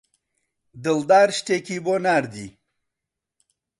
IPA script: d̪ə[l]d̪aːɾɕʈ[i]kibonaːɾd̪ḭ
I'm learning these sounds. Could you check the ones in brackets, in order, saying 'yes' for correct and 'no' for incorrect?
yes, no

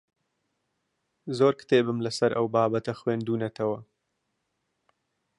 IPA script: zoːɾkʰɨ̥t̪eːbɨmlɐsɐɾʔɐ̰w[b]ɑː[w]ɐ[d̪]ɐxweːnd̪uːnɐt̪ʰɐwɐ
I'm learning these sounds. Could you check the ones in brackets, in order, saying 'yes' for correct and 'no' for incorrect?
yes, no, no

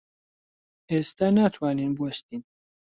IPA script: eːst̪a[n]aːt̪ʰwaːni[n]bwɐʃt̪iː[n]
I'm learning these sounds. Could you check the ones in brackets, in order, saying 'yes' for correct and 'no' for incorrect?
yes, yes, yes

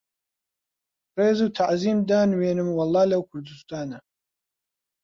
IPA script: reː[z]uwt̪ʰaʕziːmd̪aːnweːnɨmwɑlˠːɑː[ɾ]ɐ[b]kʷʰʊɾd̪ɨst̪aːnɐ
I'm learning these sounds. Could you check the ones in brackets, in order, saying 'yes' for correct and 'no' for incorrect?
yes, no, no

